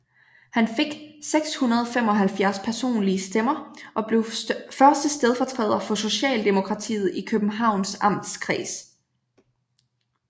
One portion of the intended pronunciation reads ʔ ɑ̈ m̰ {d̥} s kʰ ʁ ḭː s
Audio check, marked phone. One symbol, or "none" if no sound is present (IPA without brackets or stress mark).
d̥